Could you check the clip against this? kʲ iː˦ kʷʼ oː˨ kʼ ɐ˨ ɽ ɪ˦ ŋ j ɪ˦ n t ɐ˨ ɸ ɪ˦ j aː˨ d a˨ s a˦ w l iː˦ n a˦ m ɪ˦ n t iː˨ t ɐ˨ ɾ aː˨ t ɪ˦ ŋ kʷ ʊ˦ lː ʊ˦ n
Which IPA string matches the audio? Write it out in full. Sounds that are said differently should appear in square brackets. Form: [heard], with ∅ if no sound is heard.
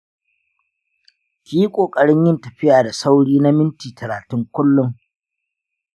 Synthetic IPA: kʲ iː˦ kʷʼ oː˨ kʼ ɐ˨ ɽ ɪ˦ [ɲ] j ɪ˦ n t ɐ˨ ɸ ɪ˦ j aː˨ d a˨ s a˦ w [ɽ] iː˦ n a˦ m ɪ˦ n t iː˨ t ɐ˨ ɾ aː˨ t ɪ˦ ŋ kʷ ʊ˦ lː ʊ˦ [ŋ]